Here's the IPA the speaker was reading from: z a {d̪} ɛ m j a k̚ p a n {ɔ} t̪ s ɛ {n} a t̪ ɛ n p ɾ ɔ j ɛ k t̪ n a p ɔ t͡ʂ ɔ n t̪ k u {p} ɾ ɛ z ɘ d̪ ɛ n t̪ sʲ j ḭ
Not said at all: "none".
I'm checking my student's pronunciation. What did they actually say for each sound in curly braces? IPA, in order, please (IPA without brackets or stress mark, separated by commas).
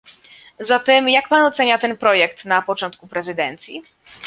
t̪, ɔ, ɲ, p